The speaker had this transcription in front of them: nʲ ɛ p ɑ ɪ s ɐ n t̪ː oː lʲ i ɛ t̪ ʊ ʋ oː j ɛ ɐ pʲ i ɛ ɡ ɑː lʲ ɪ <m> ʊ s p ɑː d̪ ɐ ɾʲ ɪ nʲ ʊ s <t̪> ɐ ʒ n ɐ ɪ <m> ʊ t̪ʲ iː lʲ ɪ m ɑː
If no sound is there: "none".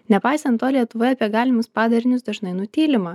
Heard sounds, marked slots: m, d̪, n

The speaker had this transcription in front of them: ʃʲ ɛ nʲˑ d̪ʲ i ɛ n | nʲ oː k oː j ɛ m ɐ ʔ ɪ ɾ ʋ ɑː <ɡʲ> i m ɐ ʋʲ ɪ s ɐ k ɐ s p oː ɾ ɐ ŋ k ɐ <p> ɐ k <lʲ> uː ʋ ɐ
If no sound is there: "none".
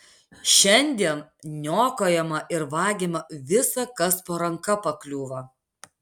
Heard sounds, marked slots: ɡʲ, p, lʲ

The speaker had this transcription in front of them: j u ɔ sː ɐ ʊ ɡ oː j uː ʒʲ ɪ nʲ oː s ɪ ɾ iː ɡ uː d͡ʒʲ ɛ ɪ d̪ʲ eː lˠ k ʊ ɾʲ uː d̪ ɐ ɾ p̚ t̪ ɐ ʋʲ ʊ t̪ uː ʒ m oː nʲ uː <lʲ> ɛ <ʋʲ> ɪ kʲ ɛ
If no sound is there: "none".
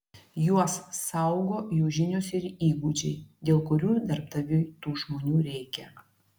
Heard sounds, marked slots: ɾʲ, none

